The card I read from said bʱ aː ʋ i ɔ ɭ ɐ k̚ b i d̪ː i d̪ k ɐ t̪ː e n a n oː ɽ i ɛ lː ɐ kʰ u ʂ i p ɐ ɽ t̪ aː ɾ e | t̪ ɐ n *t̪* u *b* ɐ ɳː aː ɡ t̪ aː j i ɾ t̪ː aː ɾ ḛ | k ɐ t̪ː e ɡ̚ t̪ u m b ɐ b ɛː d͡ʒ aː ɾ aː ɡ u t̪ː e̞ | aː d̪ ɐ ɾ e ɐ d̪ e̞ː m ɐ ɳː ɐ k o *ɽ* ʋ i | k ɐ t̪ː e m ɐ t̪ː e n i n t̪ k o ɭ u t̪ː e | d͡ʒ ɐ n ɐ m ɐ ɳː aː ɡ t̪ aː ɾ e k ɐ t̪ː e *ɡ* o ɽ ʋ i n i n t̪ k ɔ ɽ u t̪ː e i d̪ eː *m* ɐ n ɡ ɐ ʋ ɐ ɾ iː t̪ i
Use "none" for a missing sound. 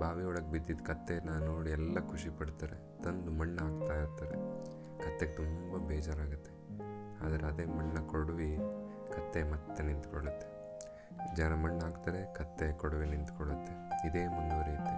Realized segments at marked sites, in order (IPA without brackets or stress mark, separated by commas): d̪, m, ɽ, k, m